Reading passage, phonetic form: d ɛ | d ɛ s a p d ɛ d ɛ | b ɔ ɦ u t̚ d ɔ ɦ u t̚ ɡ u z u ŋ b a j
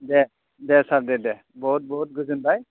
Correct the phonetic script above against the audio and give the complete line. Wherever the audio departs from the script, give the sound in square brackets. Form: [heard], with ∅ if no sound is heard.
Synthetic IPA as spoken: d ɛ | d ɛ s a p d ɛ d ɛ | b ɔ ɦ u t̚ [b] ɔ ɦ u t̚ ɡ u z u [n] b a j